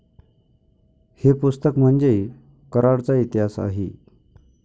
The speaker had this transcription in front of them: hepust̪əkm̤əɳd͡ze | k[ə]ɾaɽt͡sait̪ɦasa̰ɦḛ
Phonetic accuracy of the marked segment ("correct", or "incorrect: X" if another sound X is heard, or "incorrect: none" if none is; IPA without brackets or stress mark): correct